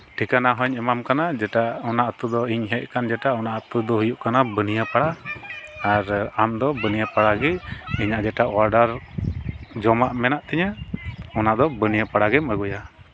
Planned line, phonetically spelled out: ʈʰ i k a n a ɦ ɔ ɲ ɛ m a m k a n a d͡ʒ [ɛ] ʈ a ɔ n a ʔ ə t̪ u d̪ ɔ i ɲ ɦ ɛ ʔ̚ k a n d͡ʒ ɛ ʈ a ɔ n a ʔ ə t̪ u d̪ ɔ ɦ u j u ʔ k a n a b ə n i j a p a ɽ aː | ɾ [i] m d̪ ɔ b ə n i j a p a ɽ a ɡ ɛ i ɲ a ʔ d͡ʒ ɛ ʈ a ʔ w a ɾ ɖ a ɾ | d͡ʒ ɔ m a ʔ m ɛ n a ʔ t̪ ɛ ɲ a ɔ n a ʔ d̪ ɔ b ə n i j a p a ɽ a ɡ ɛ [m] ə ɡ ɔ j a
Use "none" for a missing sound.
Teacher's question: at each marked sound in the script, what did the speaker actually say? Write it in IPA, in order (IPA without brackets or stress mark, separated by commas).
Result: ɛ, a, m